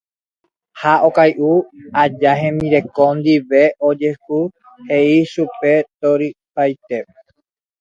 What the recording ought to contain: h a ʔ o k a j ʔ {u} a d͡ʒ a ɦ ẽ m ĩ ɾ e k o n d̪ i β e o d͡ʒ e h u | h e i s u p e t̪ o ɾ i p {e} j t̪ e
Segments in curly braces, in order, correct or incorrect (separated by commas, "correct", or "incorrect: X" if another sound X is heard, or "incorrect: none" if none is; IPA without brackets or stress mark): correct, incorrect: a